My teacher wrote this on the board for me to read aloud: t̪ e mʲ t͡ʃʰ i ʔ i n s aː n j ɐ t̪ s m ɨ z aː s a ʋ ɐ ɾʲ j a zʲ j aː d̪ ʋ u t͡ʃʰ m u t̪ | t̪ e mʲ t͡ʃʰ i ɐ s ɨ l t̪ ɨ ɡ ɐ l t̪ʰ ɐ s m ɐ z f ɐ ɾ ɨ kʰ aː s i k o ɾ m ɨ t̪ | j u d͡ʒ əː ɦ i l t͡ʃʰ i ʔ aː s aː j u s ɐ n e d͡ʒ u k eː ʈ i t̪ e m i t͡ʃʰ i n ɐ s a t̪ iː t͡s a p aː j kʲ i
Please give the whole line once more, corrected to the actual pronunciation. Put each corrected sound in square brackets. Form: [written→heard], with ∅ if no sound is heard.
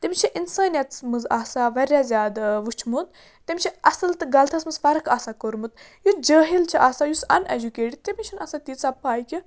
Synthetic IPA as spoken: t̪ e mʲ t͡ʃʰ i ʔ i n s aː n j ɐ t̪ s m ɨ z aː s a ʋ ɐ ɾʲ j a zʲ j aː d̪ ʋ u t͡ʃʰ m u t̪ | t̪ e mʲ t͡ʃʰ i ɐ s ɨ l t̪ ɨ ɡ ɐ l t̪ʰ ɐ s m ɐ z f ɐ ɾ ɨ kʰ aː s [i→a] k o ɾ m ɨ t̪ | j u d͡ʒ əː ɦ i l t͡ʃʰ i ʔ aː s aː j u s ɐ n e d͡ʒ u k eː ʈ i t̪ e m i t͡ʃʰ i n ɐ s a t̪ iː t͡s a p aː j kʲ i